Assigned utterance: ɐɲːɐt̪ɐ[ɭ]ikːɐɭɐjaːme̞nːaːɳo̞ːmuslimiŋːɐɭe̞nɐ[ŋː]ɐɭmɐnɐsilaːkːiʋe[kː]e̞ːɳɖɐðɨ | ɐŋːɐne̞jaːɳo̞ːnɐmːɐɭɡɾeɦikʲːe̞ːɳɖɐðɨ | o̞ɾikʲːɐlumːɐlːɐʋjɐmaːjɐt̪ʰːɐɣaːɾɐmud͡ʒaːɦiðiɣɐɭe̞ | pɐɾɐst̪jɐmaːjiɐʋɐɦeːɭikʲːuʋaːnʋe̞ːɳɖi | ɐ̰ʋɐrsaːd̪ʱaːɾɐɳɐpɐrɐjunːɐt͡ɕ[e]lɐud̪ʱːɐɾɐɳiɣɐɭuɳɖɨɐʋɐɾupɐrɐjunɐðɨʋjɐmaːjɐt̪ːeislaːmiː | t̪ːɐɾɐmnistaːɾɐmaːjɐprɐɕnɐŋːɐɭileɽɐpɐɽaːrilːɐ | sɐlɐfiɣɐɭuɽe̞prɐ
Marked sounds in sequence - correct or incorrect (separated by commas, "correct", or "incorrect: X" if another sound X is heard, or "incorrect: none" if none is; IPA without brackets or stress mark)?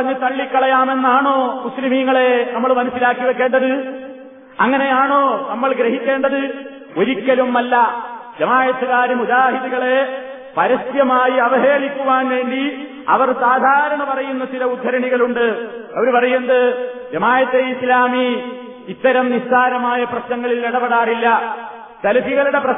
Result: incorrect: ɭː, incorrect: mː, correct, incorrect: i